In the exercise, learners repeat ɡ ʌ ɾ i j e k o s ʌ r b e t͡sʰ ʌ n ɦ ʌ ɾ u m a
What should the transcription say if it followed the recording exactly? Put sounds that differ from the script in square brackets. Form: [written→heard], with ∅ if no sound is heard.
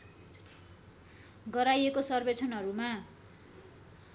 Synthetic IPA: ɡ ʌ ɾ [i→a] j e k o s ʌ r b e t͡sʰ ʌ n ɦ ʌ ɾ u m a